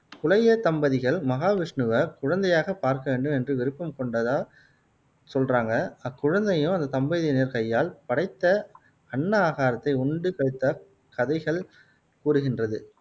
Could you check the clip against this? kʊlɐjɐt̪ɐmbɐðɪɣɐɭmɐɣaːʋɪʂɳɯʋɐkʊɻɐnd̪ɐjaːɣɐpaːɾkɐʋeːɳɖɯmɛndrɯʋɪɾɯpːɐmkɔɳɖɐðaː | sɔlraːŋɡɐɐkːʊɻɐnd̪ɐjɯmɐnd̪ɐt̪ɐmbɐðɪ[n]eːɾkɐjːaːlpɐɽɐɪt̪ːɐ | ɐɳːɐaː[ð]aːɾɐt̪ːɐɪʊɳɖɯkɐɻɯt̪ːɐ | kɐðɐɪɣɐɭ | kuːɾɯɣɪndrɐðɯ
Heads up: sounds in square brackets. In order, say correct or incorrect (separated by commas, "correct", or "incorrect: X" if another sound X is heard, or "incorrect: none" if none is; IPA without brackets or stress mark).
correct, incorrect: ɣ